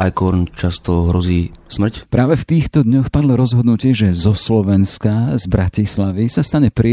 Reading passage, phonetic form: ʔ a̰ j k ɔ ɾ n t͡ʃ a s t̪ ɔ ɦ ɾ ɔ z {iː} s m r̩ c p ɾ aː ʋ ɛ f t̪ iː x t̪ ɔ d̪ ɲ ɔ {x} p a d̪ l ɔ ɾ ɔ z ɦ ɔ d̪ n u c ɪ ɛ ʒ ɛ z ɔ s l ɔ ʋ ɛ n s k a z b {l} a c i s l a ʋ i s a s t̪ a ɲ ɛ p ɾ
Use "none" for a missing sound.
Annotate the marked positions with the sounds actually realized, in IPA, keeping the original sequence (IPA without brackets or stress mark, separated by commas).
iː, x, ɾ